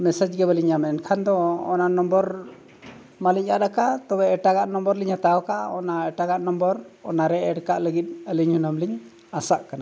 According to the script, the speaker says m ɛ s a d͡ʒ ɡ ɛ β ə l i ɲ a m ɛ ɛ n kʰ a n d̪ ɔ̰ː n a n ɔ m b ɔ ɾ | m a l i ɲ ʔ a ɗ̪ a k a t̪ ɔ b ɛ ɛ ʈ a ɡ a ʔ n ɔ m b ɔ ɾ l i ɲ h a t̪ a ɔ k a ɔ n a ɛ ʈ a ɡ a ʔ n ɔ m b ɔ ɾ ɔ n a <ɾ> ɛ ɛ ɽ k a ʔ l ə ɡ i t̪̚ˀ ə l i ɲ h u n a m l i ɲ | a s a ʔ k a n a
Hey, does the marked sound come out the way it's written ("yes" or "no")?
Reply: yes